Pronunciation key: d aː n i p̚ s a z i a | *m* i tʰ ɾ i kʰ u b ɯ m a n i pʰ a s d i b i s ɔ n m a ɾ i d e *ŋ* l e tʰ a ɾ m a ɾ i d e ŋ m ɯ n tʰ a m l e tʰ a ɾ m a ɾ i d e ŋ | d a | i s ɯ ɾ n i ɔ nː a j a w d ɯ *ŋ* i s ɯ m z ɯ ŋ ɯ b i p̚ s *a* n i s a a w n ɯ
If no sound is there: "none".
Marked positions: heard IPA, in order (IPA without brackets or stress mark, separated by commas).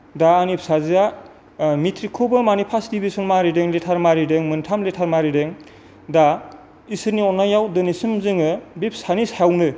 m, ŋ, n, a